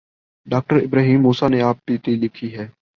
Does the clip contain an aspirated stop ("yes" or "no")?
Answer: yes